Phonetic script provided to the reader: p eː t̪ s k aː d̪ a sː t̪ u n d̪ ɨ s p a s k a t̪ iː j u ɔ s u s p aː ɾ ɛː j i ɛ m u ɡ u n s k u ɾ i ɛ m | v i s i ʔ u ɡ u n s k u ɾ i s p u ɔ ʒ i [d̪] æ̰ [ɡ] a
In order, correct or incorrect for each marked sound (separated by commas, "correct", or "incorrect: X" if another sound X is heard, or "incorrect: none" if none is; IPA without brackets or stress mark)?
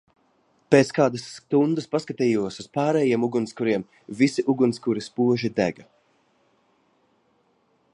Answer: correct, correct